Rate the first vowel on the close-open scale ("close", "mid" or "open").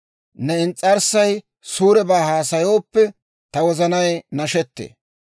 mid